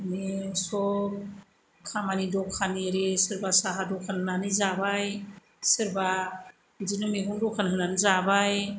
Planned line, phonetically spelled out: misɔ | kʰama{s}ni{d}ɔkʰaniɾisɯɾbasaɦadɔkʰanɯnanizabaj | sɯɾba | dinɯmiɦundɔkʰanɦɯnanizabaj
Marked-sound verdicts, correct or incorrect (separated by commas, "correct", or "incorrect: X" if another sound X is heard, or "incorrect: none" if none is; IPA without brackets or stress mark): incorrect: none, correct